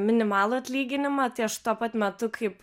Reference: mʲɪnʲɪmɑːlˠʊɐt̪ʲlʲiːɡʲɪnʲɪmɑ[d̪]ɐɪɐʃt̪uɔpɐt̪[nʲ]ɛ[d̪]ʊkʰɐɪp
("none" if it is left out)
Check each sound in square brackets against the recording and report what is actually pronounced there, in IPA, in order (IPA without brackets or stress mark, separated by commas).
t̪, mʲ, t̪